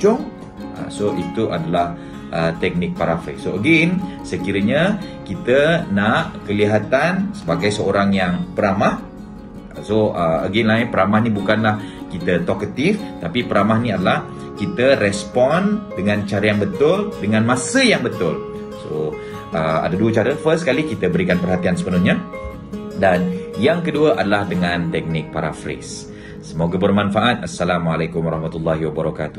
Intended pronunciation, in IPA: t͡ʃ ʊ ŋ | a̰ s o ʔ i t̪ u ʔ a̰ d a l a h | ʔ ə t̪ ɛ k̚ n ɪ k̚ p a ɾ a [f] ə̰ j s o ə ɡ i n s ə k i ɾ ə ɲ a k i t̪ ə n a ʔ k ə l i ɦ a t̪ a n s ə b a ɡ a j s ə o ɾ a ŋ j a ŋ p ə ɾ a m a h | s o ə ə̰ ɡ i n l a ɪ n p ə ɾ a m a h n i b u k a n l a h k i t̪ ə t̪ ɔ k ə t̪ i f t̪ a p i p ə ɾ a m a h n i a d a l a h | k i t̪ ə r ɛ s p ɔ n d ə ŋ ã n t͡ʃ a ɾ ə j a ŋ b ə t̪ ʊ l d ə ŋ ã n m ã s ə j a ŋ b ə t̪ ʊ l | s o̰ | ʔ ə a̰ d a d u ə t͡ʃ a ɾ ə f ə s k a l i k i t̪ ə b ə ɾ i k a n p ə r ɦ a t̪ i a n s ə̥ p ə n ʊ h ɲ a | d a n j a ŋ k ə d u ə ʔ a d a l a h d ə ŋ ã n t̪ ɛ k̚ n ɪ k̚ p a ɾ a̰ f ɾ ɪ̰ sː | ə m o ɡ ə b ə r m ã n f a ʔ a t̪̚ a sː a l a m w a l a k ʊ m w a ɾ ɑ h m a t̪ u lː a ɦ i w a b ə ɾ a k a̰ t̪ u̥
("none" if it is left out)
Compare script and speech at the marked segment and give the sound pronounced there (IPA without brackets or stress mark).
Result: f